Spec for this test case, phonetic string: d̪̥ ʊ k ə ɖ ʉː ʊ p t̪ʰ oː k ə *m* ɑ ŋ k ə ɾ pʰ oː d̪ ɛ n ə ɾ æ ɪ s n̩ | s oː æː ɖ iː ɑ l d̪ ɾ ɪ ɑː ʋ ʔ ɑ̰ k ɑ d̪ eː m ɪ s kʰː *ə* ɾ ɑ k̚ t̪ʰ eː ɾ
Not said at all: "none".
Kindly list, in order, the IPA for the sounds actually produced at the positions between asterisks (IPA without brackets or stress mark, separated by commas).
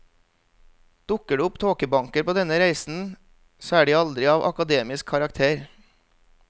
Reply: b, ɑ